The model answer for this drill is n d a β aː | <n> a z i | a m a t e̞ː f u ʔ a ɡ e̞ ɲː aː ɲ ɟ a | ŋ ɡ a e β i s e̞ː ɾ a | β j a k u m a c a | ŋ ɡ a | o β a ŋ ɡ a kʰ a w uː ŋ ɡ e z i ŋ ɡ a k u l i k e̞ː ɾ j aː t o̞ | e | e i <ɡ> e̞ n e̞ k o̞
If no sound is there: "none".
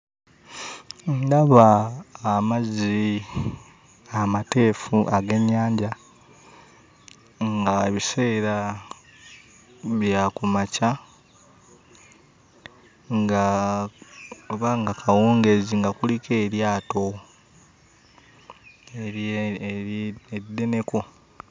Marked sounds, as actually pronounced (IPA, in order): m, d

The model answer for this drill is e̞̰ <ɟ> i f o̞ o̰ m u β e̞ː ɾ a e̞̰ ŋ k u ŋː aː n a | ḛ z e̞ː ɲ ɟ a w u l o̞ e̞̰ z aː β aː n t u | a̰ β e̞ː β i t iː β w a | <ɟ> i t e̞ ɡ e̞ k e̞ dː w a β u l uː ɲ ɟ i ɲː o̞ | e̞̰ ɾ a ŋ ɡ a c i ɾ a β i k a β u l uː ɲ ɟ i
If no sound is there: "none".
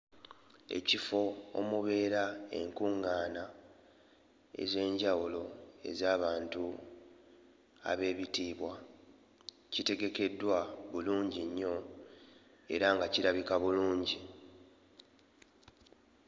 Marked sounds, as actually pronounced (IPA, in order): c, c

